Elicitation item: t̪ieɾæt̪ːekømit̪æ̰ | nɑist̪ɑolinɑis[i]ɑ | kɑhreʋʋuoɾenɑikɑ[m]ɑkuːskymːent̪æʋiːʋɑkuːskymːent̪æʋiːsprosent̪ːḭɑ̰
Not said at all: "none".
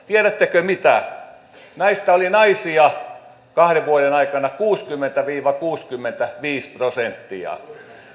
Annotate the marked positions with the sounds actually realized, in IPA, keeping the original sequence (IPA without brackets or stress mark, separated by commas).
i, n